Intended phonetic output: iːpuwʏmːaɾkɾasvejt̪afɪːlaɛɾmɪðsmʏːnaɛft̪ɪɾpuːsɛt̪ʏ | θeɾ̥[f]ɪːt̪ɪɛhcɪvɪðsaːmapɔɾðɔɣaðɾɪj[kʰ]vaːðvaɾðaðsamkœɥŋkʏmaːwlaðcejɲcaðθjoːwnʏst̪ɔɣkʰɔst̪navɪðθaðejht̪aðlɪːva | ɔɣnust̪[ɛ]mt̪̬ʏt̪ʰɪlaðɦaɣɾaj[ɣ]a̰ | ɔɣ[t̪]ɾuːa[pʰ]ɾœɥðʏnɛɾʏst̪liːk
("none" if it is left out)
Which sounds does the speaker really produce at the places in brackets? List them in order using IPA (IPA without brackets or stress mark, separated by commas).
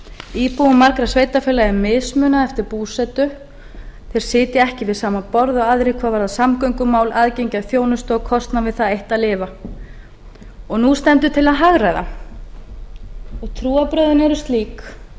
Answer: s, kʰ, ɛ, ð, t̪ʰ, p